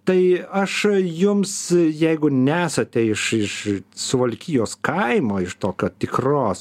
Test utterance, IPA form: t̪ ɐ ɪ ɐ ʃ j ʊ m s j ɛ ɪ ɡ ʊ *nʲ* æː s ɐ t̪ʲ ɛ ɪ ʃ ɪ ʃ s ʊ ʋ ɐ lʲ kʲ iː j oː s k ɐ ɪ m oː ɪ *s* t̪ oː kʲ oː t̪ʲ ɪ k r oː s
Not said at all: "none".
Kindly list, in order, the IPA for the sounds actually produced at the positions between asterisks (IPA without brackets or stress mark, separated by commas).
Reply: nʲ, ʃ